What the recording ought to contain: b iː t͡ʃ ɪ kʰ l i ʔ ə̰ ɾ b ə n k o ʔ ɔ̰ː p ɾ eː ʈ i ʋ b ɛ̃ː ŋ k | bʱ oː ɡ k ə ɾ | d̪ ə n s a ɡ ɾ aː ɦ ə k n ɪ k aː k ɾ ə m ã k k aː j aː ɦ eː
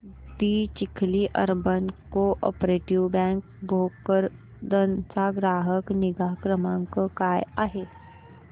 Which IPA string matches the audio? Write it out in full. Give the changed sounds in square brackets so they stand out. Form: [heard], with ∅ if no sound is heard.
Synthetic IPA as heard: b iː t͡ʃ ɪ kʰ l i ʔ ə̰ ɾ b ə n k o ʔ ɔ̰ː p ɾ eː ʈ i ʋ b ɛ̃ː ŋ k | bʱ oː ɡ k ə ɾ | d̪ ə n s a ɡ ɾ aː ɦ ə k n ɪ [ɡ] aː k ɾ ə m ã k k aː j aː ɦ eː